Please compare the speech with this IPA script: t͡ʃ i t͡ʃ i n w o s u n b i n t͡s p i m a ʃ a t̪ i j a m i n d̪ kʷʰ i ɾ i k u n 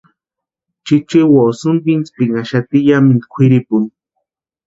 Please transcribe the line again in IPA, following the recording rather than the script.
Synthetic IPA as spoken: t͡ʃ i t͡ʃ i w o s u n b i n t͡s p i ŋ a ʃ a t̪ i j a m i n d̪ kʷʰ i ɾ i p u n